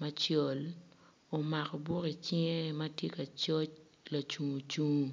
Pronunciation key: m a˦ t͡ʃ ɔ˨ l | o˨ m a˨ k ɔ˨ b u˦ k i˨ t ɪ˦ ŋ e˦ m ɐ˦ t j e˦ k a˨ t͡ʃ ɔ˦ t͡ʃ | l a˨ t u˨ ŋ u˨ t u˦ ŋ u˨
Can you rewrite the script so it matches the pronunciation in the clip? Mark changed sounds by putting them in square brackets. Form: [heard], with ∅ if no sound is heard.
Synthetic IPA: m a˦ t͡ʃ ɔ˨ l | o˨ m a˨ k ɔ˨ b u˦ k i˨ [t͡ʃ] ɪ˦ ŋ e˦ m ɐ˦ t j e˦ k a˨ t͡ʃ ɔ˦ t͡ʃ | l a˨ [t͡ʃ] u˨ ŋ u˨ [t͡ʃ] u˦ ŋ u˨

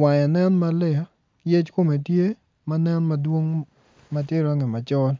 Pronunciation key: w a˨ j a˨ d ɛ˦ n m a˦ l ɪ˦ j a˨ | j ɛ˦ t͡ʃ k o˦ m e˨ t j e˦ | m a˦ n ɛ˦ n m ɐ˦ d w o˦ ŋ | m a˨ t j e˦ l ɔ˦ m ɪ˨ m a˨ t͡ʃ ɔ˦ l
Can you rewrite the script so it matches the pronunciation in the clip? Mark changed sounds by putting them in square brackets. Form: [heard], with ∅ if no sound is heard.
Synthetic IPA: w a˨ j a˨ [n] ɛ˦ n m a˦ l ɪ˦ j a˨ | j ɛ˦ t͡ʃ k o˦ m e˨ t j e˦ | m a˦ n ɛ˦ n m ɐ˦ d w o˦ ŋ | m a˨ t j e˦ [ɾ] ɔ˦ [ŋ] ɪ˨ m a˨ t͡ʃ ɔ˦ l

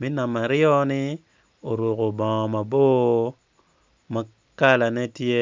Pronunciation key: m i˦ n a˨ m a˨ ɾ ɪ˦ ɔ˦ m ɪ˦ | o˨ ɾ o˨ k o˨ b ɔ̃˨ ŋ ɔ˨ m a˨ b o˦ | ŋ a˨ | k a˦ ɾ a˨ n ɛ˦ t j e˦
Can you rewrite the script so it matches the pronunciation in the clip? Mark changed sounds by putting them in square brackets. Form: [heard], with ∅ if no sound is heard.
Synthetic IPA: m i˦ n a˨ m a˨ ɾ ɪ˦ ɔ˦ [n] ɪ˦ | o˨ ɾ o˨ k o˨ b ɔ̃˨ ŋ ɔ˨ m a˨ b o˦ | [m] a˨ | k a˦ [l] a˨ n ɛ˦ t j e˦

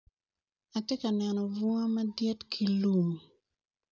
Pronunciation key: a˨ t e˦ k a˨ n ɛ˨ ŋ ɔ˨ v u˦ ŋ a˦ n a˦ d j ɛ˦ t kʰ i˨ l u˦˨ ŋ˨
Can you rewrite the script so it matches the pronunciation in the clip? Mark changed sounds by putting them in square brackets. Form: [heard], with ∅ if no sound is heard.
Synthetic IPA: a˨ t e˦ k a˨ n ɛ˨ [n] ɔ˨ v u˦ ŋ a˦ [m] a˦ d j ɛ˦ t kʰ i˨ l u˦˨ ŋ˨

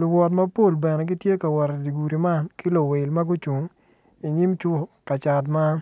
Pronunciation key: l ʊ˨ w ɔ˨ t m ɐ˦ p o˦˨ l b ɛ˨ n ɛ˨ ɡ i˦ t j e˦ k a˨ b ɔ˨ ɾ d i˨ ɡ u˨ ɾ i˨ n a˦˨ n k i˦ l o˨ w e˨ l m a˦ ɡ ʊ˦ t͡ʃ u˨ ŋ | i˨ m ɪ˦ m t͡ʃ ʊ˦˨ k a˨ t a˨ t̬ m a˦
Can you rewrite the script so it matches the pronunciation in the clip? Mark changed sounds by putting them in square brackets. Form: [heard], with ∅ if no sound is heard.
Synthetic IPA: l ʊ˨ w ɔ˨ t m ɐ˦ p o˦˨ l b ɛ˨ n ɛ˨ ɡ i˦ t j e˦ k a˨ [w] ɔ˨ ɾ d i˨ ɡ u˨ ɾ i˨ [m] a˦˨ n k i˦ l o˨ w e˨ l m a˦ ɡ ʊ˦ t͡ʃ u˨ ŋ | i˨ [ɲ] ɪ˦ m t͡ʃ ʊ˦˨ k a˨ [t͡ʃ] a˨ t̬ m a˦

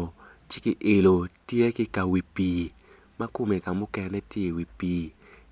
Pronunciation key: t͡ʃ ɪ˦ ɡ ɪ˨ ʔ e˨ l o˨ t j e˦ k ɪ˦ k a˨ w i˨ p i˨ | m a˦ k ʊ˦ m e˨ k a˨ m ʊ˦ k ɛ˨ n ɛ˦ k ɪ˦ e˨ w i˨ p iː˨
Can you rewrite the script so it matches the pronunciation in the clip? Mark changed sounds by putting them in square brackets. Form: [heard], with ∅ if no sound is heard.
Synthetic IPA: t͡ʃ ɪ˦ [k] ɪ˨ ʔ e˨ l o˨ t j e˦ k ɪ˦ k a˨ w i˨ p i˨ | m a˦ k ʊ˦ m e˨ k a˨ m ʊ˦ k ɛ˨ n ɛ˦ [t] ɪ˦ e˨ w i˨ p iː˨

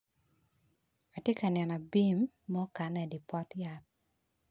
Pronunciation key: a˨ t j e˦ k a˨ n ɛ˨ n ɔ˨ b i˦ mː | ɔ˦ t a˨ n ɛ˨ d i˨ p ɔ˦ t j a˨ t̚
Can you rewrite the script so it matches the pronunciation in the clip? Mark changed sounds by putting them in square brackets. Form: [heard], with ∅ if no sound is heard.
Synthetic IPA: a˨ t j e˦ k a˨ n ɛ˨ n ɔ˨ b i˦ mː | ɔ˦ [k] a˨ n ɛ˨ d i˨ p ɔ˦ t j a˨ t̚

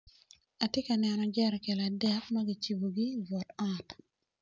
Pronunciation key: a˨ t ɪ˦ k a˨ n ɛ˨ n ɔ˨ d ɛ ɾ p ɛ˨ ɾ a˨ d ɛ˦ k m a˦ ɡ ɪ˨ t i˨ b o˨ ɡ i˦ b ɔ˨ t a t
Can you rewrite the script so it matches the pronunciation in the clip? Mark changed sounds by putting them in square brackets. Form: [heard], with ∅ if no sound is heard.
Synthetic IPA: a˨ t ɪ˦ k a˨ n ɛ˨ n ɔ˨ [d͡ʒ] ɛ ɾ [k] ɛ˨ [l] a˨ d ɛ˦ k m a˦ ɡ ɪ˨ [t͡ʃ] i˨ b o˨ ɡ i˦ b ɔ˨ t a t

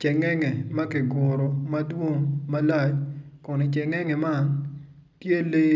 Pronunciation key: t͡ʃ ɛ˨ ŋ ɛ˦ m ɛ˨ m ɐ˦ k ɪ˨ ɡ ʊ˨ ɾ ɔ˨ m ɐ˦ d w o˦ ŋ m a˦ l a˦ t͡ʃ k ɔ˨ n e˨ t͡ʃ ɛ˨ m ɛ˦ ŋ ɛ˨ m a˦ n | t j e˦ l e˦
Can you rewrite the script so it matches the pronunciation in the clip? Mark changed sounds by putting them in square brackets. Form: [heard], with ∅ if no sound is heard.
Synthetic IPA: t͡ʃ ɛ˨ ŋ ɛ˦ [ŋ] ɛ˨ m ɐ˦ k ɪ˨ ɡ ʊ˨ ɾ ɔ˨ m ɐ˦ d w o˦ ŋ m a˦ l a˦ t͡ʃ k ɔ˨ n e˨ t͡ʃ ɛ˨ [ŋ] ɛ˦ ŋ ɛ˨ m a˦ n | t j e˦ l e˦

